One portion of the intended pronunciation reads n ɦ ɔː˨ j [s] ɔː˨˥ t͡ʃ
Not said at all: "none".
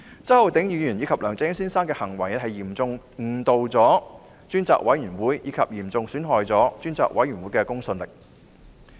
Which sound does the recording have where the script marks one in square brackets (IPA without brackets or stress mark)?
t͡s